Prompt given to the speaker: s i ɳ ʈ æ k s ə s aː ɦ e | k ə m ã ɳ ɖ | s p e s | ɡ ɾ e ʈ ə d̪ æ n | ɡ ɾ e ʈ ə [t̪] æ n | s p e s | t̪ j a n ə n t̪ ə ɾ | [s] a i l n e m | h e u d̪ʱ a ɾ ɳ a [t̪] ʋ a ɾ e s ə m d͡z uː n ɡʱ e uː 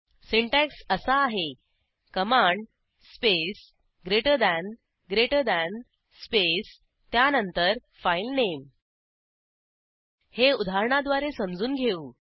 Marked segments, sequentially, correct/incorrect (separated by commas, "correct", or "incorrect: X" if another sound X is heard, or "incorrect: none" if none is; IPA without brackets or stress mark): incorrect: d̪, incorrect: f, incorrect: d̪